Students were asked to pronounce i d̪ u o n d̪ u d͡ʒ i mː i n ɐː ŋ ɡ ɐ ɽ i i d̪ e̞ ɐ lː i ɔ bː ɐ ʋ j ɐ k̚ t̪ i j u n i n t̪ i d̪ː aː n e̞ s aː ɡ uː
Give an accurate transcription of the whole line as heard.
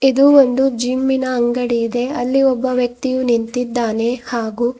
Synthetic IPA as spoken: i d̪ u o n d̪ u d͡ʒ i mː i n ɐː ŋ ɡ ɐ ɽ i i d̪ e̞ ɐ lː i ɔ bː ɐ ʋ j ɐ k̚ t̪ i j u n i n t̪ i d̪ː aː n e̞ h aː ɡ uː